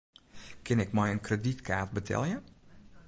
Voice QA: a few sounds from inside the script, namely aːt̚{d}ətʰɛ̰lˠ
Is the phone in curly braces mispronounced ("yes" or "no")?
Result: yes